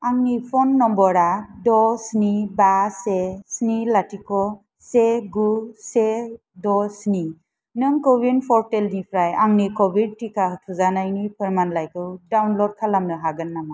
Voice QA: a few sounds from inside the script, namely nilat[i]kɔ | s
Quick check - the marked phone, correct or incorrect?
correct